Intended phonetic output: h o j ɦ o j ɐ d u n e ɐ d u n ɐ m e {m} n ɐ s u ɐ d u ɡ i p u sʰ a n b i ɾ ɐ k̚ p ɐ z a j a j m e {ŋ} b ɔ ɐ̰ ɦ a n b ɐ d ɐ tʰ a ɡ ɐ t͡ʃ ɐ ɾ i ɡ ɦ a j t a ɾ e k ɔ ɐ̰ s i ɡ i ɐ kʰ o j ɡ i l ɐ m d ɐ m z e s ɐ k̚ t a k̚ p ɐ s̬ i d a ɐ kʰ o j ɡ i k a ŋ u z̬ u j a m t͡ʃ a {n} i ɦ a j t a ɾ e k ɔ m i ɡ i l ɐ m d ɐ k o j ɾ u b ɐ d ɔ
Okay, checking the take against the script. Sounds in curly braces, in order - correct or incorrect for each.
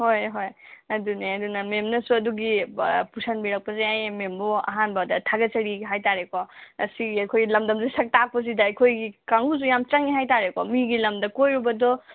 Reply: correct, incorrect: m, incorrect: ŋ

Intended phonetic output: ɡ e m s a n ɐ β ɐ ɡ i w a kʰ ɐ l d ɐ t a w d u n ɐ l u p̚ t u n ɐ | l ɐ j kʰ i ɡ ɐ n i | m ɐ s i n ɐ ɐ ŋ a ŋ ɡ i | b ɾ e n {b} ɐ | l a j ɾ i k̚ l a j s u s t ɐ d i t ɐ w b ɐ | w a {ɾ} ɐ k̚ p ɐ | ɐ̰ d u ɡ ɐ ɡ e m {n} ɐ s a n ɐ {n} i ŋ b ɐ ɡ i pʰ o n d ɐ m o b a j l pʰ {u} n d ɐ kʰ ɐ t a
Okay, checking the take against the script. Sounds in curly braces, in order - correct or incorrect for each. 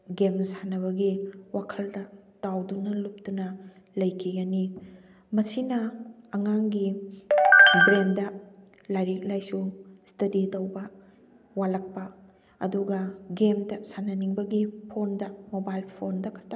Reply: incorrect: d, incorrect: l, incorrect: d, correct, incorrect: o

